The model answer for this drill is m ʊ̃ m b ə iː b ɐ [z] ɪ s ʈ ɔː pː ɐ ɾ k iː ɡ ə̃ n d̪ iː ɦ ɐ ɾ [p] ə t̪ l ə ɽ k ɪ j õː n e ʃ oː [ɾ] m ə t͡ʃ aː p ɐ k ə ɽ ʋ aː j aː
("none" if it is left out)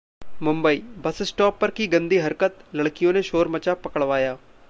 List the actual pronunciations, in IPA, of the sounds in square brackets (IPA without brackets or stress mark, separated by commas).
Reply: s, k, ɾ